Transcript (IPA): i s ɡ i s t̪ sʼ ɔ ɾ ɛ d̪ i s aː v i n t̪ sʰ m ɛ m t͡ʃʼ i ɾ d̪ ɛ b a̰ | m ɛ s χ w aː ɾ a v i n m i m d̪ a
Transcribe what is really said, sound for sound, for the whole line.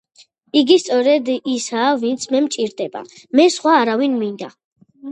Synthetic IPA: i ɡ i s t̪ sʼ ɔ ɾ ɛ d̪ i s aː v i n t̪ sʰ m ɛ m t͡ʃʼ i ɾ d̪ ɛ b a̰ | m ɛ s χ w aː ɾ a v i n m i n d̪ a